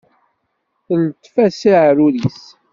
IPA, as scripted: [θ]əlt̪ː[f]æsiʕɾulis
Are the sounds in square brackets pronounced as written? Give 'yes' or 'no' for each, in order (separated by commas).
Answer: yes, yes